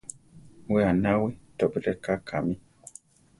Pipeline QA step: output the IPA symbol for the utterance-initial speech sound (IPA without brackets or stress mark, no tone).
w